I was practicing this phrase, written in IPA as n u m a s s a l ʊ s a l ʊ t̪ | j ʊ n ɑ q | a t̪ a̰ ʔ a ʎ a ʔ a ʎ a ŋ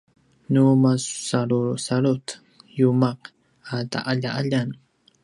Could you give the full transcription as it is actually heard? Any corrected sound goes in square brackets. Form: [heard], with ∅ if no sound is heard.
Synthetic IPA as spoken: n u m a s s a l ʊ s a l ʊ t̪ | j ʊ [m] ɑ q | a t̪ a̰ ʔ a ʎ a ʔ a ʎ a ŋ